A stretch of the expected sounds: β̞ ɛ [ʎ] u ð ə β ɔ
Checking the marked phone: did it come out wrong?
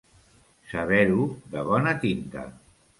yes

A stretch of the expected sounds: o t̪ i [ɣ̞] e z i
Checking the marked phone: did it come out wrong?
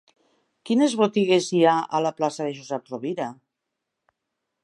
no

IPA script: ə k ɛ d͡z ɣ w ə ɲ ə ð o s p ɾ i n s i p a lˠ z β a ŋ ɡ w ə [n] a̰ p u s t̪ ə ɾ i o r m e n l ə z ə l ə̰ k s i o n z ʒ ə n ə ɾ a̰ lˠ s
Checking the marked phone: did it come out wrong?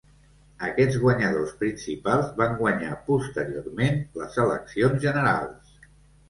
yes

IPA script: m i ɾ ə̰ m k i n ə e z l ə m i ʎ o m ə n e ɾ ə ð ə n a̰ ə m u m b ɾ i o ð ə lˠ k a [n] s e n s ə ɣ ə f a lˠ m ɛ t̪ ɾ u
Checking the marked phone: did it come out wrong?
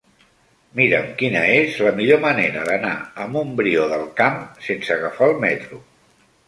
yes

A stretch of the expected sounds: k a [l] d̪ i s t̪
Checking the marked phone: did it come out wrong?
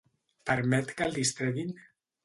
no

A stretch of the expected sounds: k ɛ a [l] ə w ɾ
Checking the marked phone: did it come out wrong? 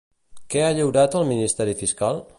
yes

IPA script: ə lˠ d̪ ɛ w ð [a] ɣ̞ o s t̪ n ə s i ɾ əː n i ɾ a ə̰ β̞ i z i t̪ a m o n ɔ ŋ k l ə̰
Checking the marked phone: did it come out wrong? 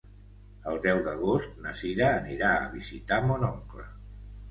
yes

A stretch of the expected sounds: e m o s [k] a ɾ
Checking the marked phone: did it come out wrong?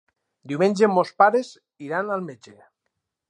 yes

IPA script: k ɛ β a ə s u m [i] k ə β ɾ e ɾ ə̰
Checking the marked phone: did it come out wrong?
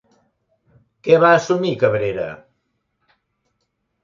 no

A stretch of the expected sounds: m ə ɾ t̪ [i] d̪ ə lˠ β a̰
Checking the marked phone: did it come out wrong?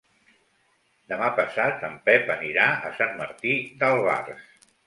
no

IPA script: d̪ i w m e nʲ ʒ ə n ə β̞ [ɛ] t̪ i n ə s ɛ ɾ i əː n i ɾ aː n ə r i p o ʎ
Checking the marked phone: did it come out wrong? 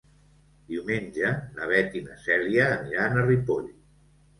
no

